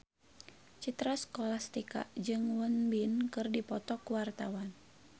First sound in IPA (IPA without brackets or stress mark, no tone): t͡ʃ